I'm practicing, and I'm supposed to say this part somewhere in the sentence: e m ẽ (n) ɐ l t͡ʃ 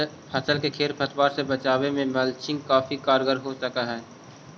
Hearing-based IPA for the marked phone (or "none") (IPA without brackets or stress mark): m